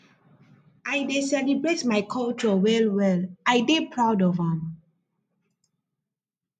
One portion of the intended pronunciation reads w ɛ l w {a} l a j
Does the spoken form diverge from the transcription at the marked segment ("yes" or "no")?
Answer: yes